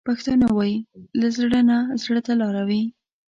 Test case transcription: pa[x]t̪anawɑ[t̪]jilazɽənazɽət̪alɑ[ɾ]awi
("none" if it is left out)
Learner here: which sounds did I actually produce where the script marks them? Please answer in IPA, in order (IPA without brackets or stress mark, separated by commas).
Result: x, none, ɾ